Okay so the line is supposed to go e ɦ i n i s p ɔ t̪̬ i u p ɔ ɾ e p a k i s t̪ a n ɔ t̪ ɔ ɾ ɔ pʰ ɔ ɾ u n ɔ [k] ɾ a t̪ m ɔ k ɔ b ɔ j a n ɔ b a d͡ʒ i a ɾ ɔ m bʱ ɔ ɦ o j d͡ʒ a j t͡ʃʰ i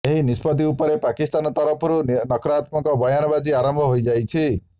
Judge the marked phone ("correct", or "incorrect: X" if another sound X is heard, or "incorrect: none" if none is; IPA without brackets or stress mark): correct